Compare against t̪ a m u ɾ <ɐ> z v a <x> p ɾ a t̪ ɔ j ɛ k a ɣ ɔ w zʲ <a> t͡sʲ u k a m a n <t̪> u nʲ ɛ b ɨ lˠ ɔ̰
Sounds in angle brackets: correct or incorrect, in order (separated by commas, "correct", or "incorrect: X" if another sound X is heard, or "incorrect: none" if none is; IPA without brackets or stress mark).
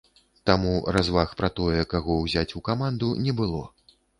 incorrect: a, correct, correct, incorrect: d̪